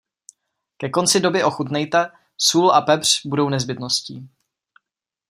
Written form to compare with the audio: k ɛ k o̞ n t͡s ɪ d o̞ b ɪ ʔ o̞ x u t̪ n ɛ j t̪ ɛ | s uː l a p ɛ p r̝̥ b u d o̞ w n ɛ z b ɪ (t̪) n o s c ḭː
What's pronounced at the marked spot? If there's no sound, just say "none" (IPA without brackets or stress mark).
t̪